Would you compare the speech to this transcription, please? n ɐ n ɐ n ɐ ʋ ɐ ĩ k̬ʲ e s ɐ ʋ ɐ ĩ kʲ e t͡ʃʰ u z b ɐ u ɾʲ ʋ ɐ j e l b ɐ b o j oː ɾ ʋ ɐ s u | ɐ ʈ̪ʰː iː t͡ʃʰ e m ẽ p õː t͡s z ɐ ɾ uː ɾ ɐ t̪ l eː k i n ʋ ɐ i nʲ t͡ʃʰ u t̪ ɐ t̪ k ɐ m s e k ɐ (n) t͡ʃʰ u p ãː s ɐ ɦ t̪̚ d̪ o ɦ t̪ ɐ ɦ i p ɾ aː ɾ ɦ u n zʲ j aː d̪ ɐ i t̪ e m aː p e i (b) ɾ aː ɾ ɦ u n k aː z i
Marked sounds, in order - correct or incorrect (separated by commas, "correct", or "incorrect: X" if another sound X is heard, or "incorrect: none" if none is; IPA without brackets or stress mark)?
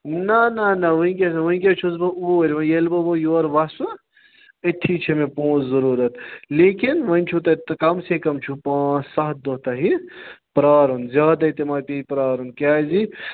incorrect: m, incorrect: p